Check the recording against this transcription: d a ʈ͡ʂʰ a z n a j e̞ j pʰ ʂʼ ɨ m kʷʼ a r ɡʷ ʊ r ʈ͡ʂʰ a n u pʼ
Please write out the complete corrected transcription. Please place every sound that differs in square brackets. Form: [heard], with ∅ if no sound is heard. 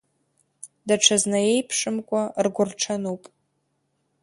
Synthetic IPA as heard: d a ʈ͡ʂʰ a z n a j e̞ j pʰ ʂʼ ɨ m kʷʼ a r ɡʷ ʊ r ʈ͡ʂʰ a n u pʼ